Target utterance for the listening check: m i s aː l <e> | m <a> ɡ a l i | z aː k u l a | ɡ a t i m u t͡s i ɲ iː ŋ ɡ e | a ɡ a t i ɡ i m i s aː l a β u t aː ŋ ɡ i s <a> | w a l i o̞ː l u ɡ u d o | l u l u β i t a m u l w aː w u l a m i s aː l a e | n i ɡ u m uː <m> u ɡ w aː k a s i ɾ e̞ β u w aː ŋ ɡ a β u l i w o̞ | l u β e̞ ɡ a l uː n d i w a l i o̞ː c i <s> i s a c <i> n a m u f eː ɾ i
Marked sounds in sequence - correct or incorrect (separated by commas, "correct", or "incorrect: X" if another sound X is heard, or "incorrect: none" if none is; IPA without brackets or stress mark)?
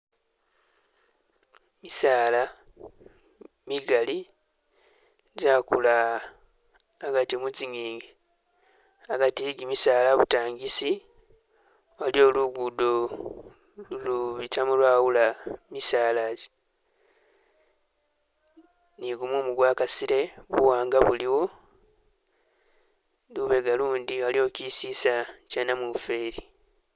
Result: incorrect: a, incorrect: i, incorrect: i, correct, correct, incorrect: a